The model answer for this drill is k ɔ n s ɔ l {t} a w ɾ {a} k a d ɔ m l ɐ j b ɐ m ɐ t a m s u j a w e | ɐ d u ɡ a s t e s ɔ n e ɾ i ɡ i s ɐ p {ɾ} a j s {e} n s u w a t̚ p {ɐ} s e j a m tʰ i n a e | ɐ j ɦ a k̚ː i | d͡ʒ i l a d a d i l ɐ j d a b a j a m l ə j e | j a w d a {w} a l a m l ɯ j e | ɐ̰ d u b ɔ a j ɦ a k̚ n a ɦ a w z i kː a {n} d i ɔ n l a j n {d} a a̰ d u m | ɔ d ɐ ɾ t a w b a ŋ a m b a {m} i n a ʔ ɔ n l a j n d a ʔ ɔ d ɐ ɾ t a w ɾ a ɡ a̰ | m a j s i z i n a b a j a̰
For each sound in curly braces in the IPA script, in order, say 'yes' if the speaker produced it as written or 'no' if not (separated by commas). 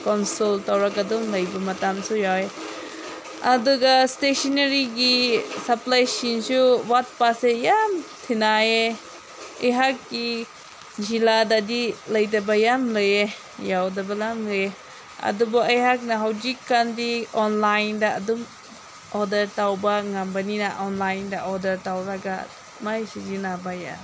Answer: yes, yes, no, no, no, no, yes, yes, no